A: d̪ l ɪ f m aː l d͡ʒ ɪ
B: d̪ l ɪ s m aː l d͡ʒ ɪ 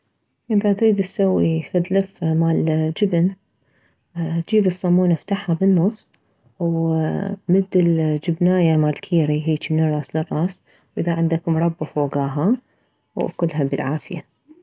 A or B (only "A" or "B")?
A